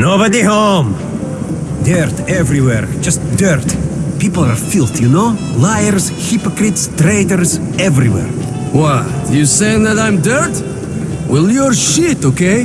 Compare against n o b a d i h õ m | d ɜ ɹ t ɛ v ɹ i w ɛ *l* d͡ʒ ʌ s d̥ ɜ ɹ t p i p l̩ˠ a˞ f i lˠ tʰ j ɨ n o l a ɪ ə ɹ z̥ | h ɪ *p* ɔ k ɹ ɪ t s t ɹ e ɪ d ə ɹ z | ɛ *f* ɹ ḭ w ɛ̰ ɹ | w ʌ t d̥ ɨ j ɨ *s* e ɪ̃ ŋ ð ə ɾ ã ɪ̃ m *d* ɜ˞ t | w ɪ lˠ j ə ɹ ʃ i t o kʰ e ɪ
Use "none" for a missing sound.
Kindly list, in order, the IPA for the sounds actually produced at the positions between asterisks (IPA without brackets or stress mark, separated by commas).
ɹ, p, v, s, d